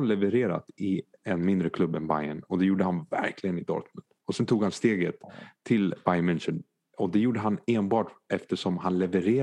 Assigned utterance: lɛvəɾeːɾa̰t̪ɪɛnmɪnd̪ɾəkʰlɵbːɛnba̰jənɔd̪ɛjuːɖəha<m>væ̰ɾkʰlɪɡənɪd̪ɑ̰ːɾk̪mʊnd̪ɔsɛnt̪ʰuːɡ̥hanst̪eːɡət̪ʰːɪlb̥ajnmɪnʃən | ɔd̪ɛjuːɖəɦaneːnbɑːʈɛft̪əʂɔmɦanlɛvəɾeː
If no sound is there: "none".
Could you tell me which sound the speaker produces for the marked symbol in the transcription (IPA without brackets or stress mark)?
n